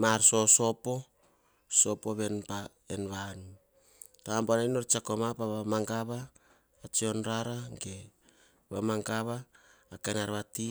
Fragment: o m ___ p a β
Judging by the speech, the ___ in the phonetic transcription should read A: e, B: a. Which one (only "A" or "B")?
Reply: B